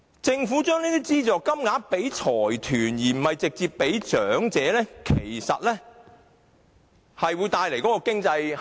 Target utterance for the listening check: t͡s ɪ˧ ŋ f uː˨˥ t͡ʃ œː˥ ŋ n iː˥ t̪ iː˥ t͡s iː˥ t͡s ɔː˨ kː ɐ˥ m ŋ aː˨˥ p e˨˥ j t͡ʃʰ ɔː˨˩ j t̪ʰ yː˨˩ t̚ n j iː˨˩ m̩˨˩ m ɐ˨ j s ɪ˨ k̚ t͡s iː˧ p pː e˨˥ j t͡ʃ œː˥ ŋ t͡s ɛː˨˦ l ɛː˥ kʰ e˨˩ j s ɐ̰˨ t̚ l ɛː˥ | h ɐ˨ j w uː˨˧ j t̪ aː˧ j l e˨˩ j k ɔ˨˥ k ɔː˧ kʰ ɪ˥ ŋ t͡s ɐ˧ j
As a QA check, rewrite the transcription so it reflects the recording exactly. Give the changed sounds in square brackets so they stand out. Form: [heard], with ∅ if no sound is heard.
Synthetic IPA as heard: t͡s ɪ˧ ŋ f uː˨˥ t͡ʃ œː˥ ŋ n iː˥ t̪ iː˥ t͡s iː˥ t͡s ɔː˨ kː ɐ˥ m ŋ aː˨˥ p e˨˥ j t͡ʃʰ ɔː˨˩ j t̪ʰ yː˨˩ [∅] n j iː˨˩ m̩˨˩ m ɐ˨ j [t͡s] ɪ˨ k̚ t͡s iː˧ p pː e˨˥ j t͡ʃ [œː˨˥] ŋ t͡s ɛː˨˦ l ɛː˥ kʰ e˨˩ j s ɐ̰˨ t̚ l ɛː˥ | h ɐ˨ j w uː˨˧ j t̪ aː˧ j l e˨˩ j k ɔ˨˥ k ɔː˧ [k] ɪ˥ ŋ t͡s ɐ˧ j